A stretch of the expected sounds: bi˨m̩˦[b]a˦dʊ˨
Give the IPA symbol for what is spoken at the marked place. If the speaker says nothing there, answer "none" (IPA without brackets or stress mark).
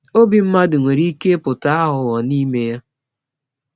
m